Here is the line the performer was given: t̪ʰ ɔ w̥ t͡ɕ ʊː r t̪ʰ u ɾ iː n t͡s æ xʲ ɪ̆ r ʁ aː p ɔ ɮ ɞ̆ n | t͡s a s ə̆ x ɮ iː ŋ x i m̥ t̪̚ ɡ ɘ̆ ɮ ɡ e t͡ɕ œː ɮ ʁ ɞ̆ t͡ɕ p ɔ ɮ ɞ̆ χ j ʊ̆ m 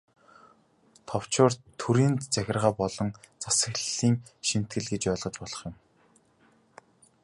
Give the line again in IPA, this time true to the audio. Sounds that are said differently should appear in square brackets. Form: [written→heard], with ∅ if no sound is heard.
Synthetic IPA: t̪ʰ ɔ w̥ t͡ɕ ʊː r t̪ʰ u ɾ iː n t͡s æ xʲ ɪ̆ r ʁ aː p ɔ ɮ ɞ̆ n | t͡s a s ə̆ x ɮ iː ŋ [x→ʃ] i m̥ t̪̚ ɡ ɘ̆ ɮ ɡ e t͡ɕ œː ɮ ʁ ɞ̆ t͡ɕ p ɔ ɮ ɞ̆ χ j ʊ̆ m